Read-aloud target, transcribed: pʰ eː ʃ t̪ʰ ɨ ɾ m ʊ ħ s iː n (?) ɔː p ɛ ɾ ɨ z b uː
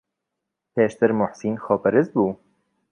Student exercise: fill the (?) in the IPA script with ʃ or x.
x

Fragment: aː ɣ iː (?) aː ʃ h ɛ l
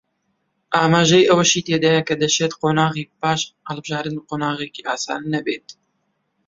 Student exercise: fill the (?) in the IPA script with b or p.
p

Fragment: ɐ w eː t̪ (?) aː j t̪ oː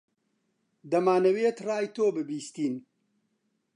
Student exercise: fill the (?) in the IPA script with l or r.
r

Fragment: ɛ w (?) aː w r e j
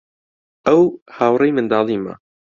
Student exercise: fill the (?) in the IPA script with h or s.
h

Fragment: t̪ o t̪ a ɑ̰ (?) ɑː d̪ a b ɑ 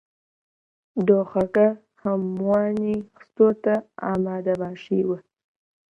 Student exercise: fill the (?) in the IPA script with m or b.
m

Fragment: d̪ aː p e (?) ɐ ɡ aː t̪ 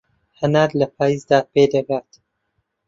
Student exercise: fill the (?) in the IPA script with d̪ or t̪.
d̪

